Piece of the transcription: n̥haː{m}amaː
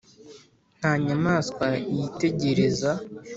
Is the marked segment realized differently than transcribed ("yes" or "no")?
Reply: yes